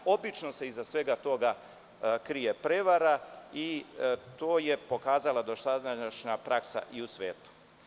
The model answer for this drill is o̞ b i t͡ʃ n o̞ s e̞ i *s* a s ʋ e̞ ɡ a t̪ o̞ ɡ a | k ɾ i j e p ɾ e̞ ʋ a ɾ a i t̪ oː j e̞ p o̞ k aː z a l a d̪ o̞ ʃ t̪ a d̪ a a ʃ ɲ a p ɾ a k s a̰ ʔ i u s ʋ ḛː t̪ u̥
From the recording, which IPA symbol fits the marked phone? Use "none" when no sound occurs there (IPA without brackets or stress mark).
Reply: z